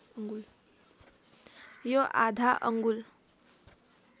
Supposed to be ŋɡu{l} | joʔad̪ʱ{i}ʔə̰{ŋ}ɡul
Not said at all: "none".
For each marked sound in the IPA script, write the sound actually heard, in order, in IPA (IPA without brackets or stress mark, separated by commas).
l, a, ŋ